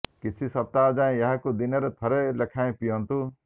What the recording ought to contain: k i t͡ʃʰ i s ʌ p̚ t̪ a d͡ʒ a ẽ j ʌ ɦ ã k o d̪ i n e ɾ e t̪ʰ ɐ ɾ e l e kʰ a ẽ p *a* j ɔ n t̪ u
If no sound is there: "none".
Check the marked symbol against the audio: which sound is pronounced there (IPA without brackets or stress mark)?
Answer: i